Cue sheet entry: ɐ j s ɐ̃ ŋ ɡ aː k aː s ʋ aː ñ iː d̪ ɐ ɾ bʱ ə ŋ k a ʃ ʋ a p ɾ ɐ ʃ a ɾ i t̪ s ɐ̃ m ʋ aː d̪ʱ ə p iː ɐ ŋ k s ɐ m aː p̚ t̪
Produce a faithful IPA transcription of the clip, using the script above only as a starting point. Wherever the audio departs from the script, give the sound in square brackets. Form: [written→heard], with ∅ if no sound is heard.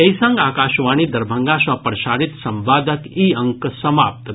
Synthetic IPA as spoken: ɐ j s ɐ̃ ŋ ɡ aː k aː [s→ʃ] ʋ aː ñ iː d̪ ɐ ɾ bʱ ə ŋ [k→ɡ] a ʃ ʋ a p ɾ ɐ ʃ a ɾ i t̪ s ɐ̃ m ʋ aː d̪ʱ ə [p→k] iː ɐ ŋ k s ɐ m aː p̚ t̪